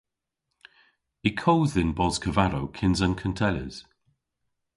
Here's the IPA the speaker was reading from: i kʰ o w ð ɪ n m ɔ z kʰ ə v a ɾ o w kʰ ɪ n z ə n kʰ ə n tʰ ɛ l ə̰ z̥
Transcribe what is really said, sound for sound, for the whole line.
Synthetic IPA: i kʰ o w ð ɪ n b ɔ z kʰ ə v a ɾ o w kʰ ɪ n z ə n kʰ ə n tʰ ɛ l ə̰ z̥